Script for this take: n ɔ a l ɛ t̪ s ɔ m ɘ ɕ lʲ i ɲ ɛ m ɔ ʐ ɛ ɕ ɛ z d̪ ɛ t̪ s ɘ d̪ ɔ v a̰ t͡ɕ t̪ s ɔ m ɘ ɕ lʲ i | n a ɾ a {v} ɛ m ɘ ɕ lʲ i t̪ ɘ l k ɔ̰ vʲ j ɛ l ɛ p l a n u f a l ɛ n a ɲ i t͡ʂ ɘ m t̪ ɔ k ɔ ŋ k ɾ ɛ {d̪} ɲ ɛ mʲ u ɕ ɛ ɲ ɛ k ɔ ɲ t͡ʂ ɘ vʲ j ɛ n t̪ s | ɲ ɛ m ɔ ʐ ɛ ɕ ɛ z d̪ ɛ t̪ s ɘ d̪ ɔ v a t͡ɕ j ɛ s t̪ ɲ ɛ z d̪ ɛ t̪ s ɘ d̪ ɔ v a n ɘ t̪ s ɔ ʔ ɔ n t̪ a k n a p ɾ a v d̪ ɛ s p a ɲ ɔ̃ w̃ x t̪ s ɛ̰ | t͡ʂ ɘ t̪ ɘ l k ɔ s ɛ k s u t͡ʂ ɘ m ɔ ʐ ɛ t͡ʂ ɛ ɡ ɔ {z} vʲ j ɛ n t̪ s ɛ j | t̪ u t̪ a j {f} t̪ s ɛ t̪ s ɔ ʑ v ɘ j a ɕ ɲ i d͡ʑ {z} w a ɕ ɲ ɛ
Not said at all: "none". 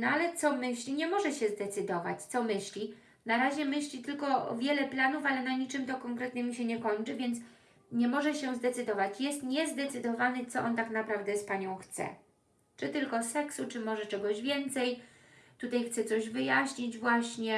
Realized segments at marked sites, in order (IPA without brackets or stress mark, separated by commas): ʑ, t̪, ʑ, x, v